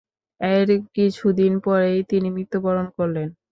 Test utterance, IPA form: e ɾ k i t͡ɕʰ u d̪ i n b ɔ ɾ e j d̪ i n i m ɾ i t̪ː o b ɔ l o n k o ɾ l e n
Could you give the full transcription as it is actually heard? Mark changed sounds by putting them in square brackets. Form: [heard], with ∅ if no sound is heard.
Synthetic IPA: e ɾ k i t͡ɕʰ u d̪ i n [p] ɔ ɾ e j [t̪] i n i m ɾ i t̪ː o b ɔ [ɾ] o n k o ɾ l e n